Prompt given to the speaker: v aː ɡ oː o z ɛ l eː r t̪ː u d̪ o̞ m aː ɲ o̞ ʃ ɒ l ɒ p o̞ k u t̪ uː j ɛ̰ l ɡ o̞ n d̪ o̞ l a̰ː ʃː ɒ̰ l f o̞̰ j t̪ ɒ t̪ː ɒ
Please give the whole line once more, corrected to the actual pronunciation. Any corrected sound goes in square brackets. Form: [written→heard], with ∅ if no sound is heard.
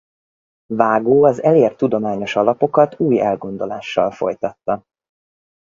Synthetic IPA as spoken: v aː ɡ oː [o→ɒ] z ɛ l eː r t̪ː u d̪ o̞ m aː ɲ o̞ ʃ ɒ l ɒ p o̞ k [u→ɒ] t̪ uː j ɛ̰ l ɡ o̞ n d̪ o̞ l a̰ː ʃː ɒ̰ l f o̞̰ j t̪ ɒ t̪ː ɒ